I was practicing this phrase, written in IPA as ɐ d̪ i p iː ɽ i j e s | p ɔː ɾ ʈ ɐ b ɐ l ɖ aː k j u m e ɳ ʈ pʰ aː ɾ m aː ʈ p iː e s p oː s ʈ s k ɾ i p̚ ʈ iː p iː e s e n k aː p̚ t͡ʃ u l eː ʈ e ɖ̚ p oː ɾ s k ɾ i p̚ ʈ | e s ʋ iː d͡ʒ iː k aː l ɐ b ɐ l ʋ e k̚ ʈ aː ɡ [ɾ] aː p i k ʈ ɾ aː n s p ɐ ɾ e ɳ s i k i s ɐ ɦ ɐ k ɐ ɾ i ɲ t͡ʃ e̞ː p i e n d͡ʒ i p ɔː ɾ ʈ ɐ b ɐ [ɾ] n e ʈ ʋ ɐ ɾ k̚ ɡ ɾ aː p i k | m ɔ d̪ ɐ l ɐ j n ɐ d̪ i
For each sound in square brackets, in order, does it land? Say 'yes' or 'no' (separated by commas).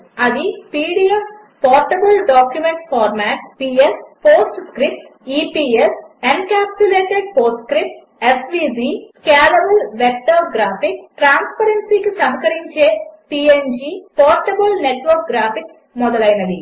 yes, no